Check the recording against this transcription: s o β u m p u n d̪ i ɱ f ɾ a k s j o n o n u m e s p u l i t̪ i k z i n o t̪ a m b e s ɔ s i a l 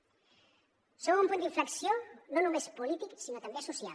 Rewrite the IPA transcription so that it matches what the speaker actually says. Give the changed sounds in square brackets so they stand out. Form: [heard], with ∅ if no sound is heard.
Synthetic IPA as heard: s o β u m p u n d̪ i ɱ f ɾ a k s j o n o n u m e s p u l i t̪ i k [s] i n o t̪ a m b e s [u] s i a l

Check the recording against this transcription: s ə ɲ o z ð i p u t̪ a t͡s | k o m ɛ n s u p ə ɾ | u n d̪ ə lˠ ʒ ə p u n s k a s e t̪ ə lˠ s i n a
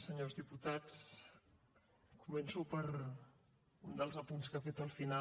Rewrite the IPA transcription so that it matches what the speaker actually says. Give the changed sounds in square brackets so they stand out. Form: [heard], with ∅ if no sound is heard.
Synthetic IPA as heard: s ə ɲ o z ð i p u t̪ a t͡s | k [u] m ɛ n s u p ə ɾ | u n d̪ ə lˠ [z] ə p u n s k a [f] e t̪ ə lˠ [f] i n a

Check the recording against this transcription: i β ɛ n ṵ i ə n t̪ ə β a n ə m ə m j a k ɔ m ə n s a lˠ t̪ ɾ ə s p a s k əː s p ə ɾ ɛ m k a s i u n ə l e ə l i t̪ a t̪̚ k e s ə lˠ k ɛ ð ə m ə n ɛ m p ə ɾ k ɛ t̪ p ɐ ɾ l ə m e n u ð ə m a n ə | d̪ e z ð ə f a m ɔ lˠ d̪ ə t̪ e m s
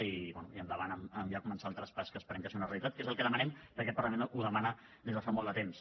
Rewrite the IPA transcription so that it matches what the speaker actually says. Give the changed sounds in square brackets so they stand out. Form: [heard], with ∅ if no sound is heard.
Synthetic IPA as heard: i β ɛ n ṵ i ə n [d̪] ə β a n ə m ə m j a k [u] m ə n s a lˠ t̪ ɾ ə s p a s k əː s p ə ɾ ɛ m k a s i u n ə [r] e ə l i t̪ a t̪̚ k e [z] ə lˠ k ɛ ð ə m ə n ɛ m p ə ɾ k ɛ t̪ p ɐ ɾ l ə m e n u ð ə m a n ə | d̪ e z ð ə f a m ɔ lˠ d̪ ə t̪ e m s

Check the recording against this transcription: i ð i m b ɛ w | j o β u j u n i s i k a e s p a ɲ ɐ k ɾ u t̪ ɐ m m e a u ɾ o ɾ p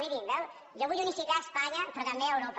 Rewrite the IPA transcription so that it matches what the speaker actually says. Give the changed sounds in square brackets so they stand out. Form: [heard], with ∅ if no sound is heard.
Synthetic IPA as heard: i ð i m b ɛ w | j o β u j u n i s i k a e s p a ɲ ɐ [p] ɾ [ɔ] t̪ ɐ m [b] e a [w] ɾ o [∅] p

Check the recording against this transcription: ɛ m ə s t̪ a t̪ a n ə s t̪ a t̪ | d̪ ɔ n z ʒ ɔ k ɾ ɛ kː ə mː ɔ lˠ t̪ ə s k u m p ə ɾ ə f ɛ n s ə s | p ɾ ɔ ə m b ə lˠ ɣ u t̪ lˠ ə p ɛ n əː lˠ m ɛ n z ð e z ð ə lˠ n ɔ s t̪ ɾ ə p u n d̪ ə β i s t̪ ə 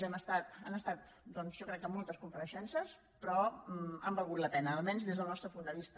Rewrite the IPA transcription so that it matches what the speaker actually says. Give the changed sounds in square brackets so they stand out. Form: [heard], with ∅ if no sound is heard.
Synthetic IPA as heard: ɛ m ə s t̪ a t̪ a n ə s t̪ a t̪ | d̪ ɔ n z ʒ ɔ k ɾ ɛ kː ə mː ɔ lˠ t̪ ə s k u m p ə ɾ ə [ʃ] ɛ n s ə s | p ɾ ɔ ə m b ə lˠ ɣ u t̪ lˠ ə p ɛ n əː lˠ m ɛ n z ð e z ð ə lˠ n ɔ s t̪ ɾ ə p u n d̪ ə β i s t̪ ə

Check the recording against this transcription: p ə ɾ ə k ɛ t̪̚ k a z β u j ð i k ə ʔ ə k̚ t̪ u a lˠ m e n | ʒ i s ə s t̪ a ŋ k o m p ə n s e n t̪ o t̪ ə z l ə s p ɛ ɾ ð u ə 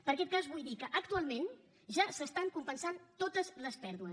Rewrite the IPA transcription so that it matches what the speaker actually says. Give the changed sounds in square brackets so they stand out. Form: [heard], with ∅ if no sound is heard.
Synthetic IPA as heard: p ə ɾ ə k ɛ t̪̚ k a z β u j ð i k ə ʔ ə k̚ t̪ u a lˠ m e n | ʒ [a] s ə s t̪ a ŋ k [u] m p ə n s [a] n t̪ o t̪ ə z l ə s p ɛ ɾ ð u ə

